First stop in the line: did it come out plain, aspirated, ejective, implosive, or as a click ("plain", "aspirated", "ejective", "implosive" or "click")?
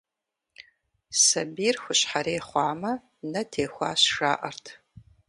plain